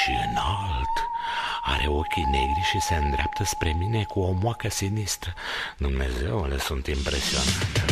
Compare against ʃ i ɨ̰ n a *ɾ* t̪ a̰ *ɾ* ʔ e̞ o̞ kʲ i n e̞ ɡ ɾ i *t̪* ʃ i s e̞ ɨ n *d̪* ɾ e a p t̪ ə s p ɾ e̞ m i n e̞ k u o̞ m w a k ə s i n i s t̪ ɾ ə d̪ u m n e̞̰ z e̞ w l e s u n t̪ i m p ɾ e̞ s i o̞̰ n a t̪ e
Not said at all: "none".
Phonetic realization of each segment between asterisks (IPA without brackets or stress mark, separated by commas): l, ɾ, none, d̪